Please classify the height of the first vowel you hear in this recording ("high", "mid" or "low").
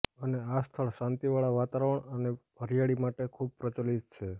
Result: mid